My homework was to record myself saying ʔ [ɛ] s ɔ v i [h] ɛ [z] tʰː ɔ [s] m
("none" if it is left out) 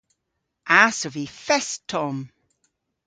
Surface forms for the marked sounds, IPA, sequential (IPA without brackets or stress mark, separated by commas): a, f, s, none